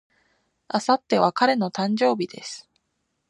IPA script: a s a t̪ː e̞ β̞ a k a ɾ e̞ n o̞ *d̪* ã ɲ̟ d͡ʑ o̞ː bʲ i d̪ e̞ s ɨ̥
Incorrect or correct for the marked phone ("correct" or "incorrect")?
incorrect